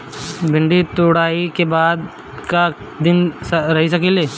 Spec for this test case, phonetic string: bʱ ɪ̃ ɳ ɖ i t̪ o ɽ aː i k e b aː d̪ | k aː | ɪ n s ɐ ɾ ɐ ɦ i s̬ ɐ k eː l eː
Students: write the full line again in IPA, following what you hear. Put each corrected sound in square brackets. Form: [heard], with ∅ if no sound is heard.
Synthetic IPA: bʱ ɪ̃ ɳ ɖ i t̪ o ɽ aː i k e b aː d̪ | k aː | ɪ n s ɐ ɾ ɐ ɦ i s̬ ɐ k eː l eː